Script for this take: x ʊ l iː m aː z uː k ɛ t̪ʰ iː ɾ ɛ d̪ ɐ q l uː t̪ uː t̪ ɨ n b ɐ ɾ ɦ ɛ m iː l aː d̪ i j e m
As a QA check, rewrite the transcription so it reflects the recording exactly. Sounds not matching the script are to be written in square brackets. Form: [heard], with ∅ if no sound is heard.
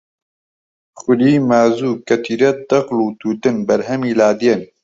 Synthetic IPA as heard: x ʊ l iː m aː z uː k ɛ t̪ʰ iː ɾ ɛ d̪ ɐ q l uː t̪ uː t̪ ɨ n b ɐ ɾ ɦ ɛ m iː l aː d̪ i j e [n]